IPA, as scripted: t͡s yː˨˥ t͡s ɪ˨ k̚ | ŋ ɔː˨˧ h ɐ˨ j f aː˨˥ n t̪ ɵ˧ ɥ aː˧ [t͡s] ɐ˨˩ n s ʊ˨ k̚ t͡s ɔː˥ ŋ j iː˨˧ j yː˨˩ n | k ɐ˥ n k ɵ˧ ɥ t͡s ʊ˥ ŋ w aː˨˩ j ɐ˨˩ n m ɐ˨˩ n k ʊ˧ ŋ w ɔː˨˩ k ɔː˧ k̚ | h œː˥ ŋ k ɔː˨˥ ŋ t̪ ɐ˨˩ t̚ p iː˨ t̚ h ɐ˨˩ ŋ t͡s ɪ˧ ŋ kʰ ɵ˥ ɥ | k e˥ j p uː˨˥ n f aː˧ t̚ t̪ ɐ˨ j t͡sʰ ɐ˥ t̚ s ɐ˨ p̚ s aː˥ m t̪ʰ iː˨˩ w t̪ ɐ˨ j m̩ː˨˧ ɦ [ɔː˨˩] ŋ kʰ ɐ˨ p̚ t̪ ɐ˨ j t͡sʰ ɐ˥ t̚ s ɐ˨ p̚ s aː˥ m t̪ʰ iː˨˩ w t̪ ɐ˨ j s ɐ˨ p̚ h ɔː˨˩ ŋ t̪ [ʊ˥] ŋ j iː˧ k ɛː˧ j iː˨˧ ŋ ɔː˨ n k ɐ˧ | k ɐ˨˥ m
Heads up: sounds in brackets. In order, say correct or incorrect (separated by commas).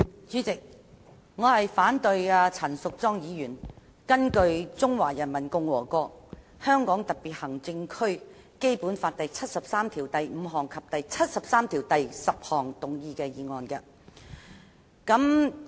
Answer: incorrect, correct, incorrect